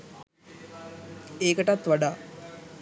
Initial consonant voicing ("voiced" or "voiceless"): voiceless